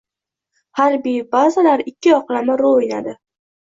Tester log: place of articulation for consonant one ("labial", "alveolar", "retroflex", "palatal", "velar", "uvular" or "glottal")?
glottal